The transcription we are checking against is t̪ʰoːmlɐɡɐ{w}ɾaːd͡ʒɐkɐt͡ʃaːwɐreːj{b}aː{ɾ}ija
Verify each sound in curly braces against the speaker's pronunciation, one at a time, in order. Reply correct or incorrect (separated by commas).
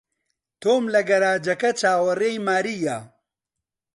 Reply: incorrect, incorrect, correct